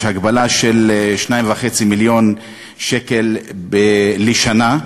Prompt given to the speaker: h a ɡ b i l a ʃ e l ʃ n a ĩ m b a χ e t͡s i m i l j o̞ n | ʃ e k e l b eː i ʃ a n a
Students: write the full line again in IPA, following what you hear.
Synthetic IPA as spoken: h a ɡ b a l a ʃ e l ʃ n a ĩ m v a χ e t͡s i m i l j o̞ n | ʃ e k e l b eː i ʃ a n a